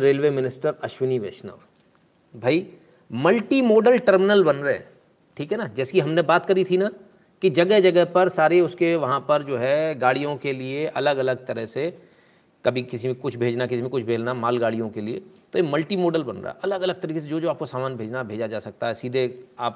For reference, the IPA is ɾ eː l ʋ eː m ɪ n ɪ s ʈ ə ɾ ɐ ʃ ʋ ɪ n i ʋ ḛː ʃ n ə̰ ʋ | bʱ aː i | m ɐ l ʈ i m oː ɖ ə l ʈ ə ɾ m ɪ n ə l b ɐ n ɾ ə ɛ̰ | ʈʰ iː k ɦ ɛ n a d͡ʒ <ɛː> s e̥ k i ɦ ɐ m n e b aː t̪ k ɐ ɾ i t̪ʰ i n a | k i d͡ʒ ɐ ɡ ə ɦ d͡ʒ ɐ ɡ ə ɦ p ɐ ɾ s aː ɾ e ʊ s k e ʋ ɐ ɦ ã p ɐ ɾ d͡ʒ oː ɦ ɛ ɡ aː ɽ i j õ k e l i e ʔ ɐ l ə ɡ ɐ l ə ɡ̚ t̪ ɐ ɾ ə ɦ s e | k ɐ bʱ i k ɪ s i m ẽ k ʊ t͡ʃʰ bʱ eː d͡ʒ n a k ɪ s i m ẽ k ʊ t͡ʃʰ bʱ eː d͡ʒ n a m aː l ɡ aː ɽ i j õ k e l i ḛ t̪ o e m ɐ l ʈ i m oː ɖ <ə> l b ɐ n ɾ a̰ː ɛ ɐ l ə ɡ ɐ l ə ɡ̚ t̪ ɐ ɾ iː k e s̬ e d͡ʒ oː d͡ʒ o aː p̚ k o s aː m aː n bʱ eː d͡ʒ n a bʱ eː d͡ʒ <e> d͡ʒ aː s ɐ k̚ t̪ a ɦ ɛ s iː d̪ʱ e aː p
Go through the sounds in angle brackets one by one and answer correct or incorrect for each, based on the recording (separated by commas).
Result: correct, correct, incorrect